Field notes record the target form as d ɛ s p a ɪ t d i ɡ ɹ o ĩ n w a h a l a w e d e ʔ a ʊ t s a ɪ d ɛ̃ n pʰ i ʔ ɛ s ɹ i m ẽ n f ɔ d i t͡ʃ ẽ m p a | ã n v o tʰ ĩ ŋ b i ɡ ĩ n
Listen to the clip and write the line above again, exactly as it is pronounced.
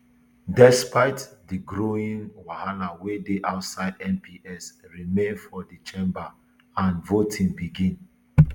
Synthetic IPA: d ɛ s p a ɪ t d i ɡ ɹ o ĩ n w a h a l a w e d e ʔ a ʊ t s a ɪ d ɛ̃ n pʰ i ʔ ɛ s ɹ i m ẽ n f ɔ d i t͡ʃ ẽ m b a | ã n v o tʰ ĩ ŋ b i ɡ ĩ n